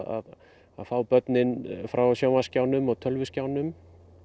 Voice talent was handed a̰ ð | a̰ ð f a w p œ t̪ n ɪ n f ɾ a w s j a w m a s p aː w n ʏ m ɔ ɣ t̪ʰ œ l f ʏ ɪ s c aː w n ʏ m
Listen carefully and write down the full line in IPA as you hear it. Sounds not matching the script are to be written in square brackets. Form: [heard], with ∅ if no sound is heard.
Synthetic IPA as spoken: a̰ ð | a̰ ð f a w p œ t̪ n ɪ n f ɾ a w s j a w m a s [c] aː w n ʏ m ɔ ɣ t̪ʰ œ l [v] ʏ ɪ s c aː w n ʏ m